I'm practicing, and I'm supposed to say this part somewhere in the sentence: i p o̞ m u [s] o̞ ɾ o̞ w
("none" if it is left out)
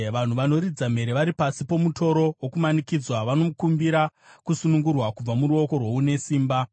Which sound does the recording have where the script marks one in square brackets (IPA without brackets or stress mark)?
t